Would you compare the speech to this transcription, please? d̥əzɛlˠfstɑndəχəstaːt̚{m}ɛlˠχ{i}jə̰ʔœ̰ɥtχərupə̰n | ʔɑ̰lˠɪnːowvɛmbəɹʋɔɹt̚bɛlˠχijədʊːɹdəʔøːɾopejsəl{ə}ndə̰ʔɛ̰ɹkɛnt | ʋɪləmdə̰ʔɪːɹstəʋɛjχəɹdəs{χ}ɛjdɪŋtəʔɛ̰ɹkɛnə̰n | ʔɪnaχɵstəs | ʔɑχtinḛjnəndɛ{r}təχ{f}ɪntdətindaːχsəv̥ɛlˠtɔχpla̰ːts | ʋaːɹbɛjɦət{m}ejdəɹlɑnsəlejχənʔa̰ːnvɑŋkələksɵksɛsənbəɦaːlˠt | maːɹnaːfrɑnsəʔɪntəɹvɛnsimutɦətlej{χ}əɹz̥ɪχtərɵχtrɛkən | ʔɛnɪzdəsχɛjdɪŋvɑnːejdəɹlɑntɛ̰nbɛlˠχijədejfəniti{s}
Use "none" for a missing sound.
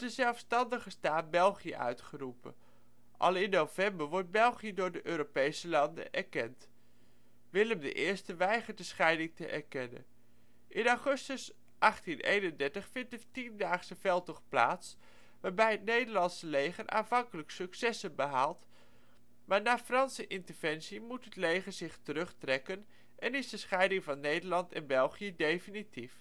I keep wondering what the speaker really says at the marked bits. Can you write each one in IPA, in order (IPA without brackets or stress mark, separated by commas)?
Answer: b, i, ɑ, χ, ɹ, f, n, χ, f